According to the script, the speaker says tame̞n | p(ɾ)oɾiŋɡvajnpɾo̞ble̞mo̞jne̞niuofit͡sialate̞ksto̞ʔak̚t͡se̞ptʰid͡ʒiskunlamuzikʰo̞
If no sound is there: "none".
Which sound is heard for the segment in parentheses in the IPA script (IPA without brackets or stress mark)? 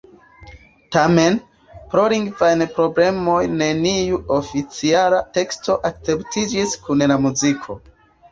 ɾ